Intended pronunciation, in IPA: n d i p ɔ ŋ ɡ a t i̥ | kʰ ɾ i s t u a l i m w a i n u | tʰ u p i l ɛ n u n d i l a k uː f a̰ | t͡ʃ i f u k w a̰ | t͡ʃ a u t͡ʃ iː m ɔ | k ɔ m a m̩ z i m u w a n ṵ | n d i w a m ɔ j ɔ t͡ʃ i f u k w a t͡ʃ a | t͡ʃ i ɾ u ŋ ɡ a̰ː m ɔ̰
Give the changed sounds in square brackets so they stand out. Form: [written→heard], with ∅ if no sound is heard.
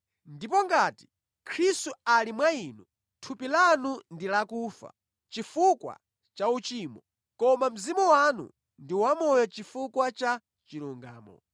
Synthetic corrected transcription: n d i p ɔ ŋ ɡ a t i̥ | kʰ ɾ i s t u a l i m w a i n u | tʰ u p i l [ɛ→a] n u n d i l a k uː f a̰ | t͡ʃ i f u k w a̰ | t͡ʃ a u t͡ʃ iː m ɔ | k ɔ m a m̩ z i m u w a n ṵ | n d i w a m ɔ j ɔ t͡ʃ i f u k w a t͡ʃ a | t͡ʃ i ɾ u ŋ ɡ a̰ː m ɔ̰